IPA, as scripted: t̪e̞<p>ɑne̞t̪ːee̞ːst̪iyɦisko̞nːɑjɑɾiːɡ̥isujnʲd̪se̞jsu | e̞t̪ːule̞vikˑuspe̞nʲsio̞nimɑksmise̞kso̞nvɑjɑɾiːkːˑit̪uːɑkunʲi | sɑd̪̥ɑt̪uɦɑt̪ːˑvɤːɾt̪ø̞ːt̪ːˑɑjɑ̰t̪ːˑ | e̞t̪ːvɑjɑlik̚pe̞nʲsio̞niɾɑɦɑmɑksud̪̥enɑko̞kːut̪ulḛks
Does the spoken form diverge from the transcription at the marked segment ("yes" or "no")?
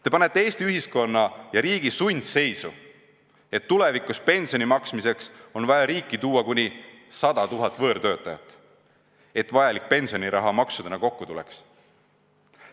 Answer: no